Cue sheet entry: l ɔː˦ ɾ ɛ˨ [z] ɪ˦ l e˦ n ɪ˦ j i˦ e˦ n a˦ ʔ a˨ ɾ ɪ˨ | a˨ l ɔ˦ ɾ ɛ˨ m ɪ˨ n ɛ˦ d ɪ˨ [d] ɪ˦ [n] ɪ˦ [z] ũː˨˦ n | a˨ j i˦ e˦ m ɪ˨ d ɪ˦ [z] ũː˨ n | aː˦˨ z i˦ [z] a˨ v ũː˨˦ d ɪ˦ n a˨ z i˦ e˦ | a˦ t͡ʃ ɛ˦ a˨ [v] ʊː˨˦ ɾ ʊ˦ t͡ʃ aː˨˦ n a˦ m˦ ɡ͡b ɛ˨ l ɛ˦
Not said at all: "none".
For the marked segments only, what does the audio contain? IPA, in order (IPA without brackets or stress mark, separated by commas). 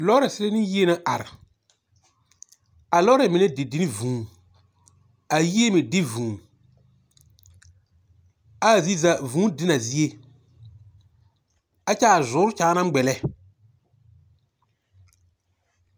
s, d, n, v, v, z, z